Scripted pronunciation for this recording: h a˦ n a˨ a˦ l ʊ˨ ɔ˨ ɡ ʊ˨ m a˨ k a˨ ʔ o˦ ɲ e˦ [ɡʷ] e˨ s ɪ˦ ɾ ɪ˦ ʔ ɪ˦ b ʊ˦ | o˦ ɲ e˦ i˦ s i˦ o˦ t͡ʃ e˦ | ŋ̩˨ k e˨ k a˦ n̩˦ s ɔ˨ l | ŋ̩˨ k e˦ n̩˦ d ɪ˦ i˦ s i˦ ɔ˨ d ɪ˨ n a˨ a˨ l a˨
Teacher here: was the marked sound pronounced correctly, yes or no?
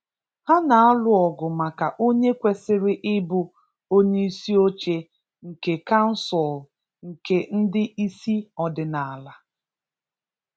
no